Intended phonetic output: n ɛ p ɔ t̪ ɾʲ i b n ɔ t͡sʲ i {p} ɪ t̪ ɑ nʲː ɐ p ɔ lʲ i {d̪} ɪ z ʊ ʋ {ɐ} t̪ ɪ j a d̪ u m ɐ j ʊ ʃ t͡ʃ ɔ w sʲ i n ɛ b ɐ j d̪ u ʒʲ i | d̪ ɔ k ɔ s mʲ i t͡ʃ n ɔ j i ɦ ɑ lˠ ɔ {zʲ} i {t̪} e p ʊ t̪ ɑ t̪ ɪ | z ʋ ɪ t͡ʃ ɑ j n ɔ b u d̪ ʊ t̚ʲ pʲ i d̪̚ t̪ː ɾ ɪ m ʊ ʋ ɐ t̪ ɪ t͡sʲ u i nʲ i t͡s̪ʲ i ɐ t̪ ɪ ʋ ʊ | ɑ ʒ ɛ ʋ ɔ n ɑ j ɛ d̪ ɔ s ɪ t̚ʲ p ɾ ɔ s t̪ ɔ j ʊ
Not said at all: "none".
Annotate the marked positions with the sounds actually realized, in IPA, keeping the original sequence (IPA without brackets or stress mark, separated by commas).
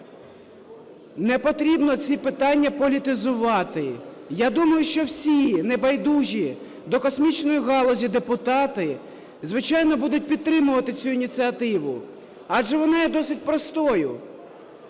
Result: p, t̪, ɑ, zʲ, d̪